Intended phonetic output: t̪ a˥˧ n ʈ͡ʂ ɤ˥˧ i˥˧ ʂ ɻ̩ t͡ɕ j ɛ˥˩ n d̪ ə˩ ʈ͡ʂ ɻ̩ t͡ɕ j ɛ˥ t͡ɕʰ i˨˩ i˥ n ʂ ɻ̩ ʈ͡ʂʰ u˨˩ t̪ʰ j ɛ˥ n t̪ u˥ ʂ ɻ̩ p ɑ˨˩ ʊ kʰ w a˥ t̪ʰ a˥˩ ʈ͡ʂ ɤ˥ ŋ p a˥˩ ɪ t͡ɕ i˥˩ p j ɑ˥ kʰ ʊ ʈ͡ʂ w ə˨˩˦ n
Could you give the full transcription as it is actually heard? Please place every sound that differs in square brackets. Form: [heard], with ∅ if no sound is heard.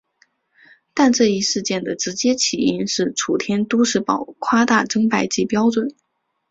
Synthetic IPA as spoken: t̪ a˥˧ n ʈ͡ʂ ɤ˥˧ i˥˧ ʂ ɻ̩ t͡ɕ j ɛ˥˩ n d̪ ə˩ ʈ͡ʂ ɻ̩ t͡ɕ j ɛ˥ t͡ɕʰ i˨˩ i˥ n ʂ ɻ̩ ʈ͡ʂʰ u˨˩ t̪ʰ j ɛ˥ n t̪ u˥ ʂ ɻ̩ p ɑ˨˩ ʊ kʰ w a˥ [t̪] a˥˩ ʈ͡ʂ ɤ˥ ŋ p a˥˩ ɪ t͡ɕ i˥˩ p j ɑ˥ [∅] ʊ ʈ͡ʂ w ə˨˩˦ n